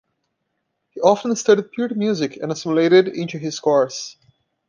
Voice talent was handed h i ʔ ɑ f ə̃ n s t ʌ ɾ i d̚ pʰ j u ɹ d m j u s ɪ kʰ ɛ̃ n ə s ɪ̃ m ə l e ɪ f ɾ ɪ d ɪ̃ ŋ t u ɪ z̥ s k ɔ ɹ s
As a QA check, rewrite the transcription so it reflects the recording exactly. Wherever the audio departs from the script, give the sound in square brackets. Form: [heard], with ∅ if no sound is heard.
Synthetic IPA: h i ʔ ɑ f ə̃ n s t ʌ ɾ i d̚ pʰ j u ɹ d m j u [z] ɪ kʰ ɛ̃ n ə s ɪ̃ m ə l e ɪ [∅] ɾ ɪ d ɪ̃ [n] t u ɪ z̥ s k ɔ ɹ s

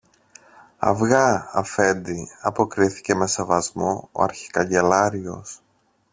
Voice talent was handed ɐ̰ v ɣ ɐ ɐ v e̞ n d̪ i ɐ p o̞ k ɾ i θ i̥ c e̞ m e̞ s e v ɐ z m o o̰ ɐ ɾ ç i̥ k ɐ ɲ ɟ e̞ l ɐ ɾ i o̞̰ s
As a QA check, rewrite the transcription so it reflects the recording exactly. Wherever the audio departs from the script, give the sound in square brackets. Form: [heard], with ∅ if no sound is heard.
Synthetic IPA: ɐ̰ v ɣ ɐ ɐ [f] e̞ n d̪ i ɐ p o̞ k ɾ i θ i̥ c e̞ m e̞ s e v ɐ z m o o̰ ɐ ɾ ç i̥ k ɐ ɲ ɟ e̞ l ɐ ɾ i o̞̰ s

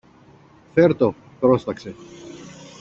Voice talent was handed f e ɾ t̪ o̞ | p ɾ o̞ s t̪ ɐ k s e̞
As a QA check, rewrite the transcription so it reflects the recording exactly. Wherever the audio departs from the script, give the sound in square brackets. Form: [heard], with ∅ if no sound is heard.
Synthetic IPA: f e ɾ t̪ o̞ | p ɾ o̞ s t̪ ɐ k s e̞

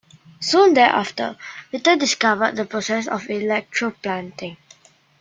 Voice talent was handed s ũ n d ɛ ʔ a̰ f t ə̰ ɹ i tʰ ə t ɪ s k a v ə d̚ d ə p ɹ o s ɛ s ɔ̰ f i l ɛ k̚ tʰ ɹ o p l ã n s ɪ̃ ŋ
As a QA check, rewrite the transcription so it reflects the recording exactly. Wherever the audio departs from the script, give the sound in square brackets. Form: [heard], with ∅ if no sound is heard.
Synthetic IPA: s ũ n d ɛ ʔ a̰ f t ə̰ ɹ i [t] ə [d] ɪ s k a v ə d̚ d ə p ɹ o s ɛ s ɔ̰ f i l ɛ k̚ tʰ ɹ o p l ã n [t] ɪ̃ ŋ

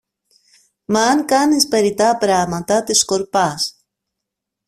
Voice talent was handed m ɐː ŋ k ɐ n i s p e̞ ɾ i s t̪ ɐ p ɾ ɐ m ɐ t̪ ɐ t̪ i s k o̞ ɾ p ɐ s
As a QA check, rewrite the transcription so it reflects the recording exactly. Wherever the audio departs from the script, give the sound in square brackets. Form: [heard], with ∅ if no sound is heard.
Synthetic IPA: m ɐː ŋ k ɐ n i s p e̞ ɾ i [∅] t̪ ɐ p ɾ ɐ m ɐ t̪ ɐ t̪ i s k o̞ ɾ p ɐ s

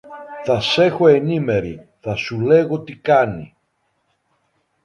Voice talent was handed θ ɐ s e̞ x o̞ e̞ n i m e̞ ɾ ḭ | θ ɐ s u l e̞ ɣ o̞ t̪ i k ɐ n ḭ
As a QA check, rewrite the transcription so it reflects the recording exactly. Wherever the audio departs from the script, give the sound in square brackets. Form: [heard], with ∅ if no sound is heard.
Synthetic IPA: θ ɐ s e̞ x o̞ e̞ n i m e̞ ɾ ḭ | θ ɐ s u l e̞ ɣ o̞ t̪ i k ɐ n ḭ

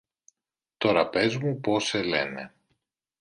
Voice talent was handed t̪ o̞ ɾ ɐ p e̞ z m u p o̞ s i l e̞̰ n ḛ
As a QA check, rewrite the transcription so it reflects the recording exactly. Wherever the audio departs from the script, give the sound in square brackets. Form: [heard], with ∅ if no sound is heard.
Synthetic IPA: t̪ o̞ ɾ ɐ p e̞ z m u p o̞ s [e] l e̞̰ n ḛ

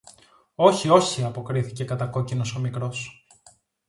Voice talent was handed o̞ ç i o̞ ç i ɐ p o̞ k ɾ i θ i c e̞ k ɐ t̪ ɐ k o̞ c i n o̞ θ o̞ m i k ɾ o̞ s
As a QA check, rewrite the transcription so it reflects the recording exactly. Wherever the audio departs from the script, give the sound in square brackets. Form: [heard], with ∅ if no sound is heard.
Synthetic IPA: o̞ ç i o̞ ç i ɐ p o̞ k ɾ i θ i c e̞ k ɐ t̪ ɐ k o̞ c i n o̞ [s] o̞ m i k ɾ o̞ s

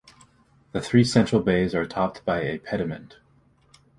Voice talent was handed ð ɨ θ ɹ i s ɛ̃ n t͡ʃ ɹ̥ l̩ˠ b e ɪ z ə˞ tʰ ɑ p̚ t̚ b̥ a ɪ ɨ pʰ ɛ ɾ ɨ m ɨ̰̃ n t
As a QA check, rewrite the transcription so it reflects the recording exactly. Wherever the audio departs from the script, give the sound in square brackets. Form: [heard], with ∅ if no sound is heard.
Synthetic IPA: ð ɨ θ ɹ i s ɛ̃ n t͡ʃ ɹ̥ l̩ˠ b e ɪ z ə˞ tʰ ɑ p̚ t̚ b̥ a ɪ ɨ pʰ ɛ ɾ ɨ m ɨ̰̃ n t

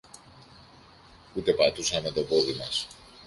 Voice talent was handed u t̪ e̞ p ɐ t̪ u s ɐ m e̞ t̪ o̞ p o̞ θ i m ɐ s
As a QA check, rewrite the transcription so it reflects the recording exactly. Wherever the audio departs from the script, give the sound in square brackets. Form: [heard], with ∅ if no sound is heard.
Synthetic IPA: u t̪ e̞ p ɐ t̪ u s ɐ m e̞ t̪ o̞ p o̞ [ð] i m ɐ s

